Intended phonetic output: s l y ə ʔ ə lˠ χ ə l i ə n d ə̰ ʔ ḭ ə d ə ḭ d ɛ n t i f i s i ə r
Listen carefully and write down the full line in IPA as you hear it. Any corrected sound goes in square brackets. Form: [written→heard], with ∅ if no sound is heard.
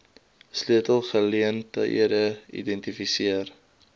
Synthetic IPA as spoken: s l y ə [ʔ→t] ə lˠ χ ə l i ə n [d→t] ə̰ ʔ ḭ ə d ə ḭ d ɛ n t i f i s i ə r